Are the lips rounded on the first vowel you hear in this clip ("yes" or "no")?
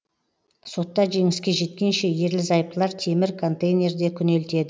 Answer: yes